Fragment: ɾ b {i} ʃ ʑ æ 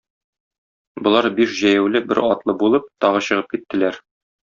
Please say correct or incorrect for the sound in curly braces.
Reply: correct